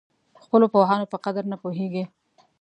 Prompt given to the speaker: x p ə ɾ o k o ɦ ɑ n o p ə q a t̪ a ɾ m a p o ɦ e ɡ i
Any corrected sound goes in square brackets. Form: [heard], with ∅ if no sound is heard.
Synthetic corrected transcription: x p ə [l] o [p] o ɦ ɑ n o p ə q a [d̪] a ɾ [n] a p o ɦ e ɡ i